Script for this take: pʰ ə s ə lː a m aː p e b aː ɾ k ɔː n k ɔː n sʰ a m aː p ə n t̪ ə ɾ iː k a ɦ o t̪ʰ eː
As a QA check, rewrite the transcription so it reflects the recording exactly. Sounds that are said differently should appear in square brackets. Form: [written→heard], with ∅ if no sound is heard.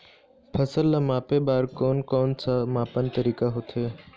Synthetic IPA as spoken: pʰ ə s ə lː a m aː p e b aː ɾ k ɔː n k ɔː n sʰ a m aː p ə n t̪ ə ɾ iː k a ɦ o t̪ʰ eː